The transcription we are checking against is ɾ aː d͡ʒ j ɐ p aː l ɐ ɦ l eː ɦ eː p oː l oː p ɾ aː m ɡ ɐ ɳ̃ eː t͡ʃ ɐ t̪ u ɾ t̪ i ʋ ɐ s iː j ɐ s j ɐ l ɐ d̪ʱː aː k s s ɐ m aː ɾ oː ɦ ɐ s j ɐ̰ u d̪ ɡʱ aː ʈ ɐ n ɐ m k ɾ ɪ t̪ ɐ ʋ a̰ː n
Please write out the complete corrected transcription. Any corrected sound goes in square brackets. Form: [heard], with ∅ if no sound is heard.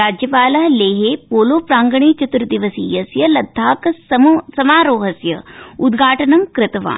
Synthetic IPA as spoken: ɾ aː d͡ʒ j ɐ p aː l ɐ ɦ l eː ɦ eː p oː l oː p ɾ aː [ŋ] ɡ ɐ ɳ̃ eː t͡ʃ ɐ t̪ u ɾ [d̪] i ʋ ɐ s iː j ɐ s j ɐ l ɐ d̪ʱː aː k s s ɐ m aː ɾ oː ɦ ɐ s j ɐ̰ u d̪ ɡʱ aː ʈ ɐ n ɐ m k ɾ ɪ t̪ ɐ ʋ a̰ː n